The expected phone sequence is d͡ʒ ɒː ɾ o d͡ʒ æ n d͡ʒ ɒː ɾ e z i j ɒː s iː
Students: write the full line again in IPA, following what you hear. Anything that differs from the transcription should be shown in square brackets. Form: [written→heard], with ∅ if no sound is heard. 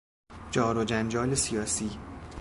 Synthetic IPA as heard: d͡ʒ ɒː ɾ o d͡ʒ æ n d͡ʒ ɒː [ɾ→l] e [z→s] i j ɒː s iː